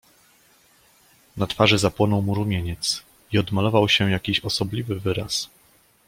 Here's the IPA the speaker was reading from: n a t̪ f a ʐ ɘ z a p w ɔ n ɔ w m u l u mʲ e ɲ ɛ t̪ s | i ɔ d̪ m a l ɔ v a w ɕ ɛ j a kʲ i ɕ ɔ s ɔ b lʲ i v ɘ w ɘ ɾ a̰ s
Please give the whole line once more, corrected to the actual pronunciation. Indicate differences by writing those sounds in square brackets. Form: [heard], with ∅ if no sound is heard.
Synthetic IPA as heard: n a t̪ f a ʐ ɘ z a p w ɔ n ɔ w m u [ɾ] u mʲ e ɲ ɛ t̪ s | i ɔ d̪ m a l ɔ v a w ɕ ɛ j a kʲ i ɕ ɔ s ɔ b lʲ i v ɘ [v] ɘ ɾ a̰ s